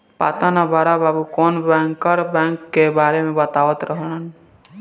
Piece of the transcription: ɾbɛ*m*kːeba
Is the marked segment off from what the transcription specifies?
yes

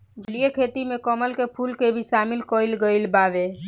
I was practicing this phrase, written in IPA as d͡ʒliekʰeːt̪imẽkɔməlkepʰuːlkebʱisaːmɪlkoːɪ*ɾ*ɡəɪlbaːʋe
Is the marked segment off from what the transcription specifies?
yes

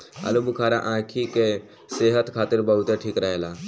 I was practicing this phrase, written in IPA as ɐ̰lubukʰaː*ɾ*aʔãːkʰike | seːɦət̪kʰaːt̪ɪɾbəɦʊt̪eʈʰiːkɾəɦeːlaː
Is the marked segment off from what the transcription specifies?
no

